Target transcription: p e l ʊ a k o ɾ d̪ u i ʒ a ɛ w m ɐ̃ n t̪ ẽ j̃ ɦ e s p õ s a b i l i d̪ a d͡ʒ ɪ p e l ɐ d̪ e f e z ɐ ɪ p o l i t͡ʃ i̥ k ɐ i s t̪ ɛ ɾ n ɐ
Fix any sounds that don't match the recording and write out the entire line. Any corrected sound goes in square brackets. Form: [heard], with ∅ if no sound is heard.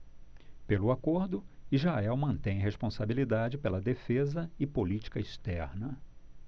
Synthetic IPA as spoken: p e l ʊ a k o ɾ d̪ [ʊ] i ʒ a ɛ w m ɐ̃ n t̪ ẽ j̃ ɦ e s p õ s a b i l i d̪ a d͡ʒ ɪ p e l ɐ d̪ e f e z ɐ ɪ p o l i t͡ʃ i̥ k ɐ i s t̪ ɛ ɾ n ɐ